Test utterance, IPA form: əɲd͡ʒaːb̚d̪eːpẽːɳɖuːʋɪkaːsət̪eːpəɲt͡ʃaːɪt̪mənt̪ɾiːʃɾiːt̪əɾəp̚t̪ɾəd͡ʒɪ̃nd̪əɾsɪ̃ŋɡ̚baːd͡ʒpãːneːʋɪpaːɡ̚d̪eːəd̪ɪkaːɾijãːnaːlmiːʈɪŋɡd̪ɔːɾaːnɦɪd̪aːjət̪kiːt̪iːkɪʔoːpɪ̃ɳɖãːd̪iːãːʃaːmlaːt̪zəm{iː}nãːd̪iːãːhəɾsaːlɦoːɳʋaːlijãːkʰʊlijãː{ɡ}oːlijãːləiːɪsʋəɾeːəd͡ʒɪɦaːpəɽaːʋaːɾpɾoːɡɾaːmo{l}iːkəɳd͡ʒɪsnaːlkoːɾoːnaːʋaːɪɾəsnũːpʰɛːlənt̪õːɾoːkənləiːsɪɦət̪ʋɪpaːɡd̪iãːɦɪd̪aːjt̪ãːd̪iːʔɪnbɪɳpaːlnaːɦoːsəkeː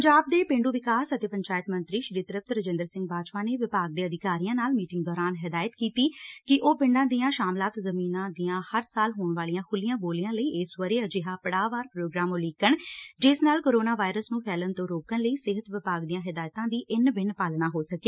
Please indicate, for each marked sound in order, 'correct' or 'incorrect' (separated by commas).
correct, incorrect, correct